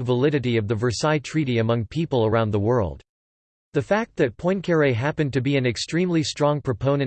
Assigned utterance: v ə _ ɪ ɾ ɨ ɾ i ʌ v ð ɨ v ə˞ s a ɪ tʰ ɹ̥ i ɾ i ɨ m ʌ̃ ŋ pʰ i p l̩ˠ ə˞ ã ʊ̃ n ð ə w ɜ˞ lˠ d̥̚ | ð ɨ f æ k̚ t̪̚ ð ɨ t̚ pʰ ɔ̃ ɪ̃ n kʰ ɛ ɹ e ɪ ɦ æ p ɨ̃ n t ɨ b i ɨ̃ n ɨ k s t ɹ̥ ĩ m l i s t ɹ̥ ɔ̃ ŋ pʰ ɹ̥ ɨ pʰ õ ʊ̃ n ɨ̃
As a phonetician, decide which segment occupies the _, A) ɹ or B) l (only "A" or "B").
B